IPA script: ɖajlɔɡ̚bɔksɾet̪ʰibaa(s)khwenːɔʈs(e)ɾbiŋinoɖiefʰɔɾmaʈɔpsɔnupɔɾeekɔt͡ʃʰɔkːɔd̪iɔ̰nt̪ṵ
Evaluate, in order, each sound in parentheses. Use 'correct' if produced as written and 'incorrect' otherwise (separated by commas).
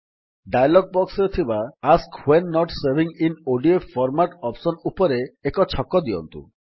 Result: correct, correct